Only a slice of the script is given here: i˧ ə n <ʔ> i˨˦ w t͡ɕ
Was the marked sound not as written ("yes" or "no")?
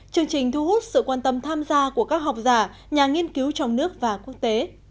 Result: yes